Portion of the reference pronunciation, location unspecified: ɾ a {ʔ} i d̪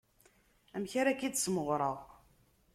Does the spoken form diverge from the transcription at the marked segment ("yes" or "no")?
yes